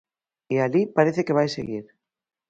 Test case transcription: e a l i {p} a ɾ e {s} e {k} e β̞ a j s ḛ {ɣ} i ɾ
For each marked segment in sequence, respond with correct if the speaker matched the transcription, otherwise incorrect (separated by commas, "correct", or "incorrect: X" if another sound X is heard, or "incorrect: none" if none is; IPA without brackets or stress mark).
correct, incorrect: θ, correct, correct